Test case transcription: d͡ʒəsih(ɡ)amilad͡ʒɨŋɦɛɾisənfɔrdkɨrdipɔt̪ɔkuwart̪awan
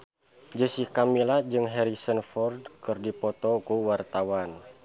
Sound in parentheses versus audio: incorrect: k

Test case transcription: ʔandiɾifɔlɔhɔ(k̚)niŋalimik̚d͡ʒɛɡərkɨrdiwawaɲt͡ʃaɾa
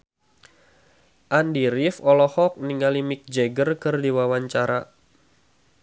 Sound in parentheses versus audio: correct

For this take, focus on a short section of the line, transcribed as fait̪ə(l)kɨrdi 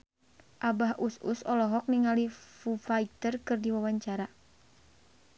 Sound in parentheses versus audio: incorrect: r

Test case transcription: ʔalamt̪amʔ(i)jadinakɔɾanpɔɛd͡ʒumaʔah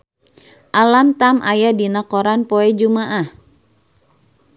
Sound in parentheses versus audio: incorrect: a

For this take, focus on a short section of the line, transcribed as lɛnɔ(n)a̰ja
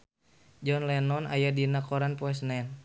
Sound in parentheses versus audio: correct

